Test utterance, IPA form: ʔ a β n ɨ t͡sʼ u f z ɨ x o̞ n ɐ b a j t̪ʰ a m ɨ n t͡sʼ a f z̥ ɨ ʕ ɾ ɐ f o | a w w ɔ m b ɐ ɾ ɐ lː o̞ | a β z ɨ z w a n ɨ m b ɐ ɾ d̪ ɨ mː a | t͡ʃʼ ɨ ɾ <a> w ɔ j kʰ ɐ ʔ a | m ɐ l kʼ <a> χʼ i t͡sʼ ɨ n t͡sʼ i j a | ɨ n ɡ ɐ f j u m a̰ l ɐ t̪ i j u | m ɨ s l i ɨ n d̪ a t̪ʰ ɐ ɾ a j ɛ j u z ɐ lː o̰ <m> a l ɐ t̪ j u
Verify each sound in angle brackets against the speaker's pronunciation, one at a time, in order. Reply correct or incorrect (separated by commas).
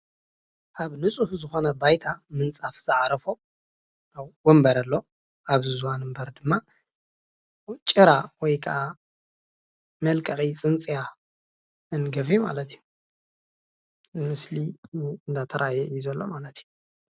correct, incorrect, correct